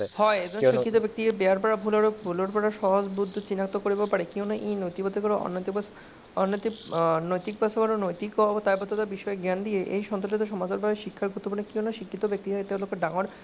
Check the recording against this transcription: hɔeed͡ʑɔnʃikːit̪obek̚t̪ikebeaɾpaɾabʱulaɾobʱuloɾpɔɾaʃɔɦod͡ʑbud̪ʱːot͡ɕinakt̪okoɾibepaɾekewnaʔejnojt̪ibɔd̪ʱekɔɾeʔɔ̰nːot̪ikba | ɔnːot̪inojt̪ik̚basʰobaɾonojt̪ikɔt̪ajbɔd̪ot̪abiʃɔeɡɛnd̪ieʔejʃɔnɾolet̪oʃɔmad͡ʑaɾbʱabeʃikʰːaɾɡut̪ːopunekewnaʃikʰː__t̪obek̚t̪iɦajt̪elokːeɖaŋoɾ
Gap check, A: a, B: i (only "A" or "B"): B